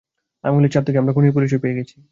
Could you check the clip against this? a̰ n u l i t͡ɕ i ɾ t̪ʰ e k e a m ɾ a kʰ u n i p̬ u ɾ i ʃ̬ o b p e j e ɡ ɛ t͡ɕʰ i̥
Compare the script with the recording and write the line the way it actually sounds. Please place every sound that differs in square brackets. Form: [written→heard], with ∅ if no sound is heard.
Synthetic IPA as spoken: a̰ [n→m] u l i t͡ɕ [i→a] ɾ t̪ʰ e k e a m ɾ a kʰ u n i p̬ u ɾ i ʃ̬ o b p e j e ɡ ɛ t͡ɕʰ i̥